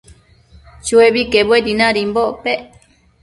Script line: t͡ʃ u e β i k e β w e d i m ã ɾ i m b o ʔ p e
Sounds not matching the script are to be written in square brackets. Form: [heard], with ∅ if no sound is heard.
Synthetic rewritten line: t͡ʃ u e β i k e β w e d i [n] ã ɾ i m b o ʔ p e